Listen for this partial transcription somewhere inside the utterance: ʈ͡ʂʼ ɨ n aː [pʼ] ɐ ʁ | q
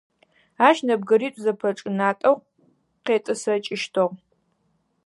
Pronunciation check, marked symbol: incorrect: tʼ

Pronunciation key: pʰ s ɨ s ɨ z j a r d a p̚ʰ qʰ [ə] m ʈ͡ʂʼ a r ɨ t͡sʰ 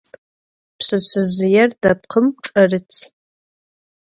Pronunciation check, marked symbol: correct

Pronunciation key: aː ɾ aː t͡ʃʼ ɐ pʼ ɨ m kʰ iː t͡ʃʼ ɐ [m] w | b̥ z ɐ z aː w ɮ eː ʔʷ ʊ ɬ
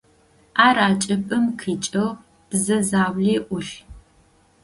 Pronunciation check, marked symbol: incorrect: none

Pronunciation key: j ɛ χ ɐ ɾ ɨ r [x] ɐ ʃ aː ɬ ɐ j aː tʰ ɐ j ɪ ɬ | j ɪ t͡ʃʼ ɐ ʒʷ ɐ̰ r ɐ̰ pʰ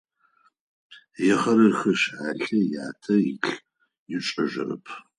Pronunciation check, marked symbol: correct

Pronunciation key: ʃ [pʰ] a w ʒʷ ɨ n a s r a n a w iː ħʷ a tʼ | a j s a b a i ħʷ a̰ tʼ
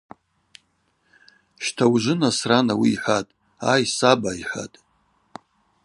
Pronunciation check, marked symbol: incorrect: tʰ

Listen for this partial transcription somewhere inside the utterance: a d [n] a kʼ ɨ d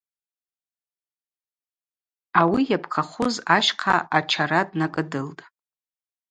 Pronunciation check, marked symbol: correct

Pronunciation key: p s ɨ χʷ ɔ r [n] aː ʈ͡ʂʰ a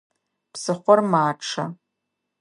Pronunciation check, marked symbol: incorrect: m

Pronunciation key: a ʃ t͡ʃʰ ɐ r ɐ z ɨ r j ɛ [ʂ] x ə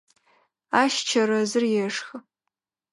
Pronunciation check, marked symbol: correct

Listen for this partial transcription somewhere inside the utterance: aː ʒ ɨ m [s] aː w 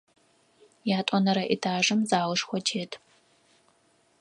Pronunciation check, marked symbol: incorrect: z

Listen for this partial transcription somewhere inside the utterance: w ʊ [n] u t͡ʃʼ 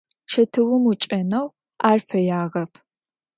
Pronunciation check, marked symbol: incorrect: m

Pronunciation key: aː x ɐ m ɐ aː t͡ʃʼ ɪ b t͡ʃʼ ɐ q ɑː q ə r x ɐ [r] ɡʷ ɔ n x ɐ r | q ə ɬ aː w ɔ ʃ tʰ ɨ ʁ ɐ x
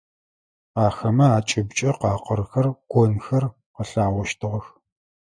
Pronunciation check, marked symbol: correct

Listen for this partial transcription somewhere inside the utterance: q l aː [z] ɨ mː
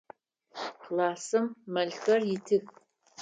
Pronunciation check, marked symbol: incorrect: s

